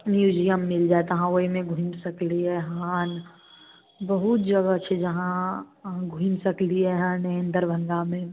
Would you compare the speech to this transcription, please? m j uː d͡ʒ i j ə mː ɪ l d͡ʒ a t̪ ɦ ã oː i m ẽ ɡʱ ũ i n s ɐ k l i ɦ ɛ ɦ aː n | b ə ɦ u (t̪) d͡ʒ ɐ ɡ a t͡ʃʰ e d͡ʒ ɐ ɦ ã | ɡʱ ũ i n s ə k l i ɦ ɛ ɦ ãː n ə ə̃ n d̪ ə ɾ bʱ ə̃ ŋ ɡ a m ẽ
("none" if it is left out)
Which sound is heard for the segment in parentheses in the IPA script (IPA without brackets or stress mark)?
t̪